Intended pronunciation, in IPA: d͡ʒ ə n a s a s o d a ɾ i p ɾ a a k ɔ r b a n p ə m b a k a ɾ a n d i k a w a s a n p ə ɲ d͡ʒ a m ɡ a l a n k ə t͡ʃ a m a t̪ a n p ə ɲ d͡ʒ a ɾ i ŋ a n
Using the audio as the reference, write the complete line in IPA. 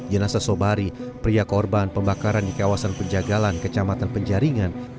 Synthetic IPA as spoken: d͡ʒ ə n a s a s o b a ɾ i p ɾ i a k ɔ r b a n p ə m b a k a ɾ a n d i k a w a s a n p ə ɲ d͡ʒ a ɡ a l a n k ə t͡ʃ a m a t̪ a n p ə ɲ d͡ʒ a ɾ i ŋ a n